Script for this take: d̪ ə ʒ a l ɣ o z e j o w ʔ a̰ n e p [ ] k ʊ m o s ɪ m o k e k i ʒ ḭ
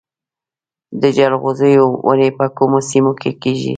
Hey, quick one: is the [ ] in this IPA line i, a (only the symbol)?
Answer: a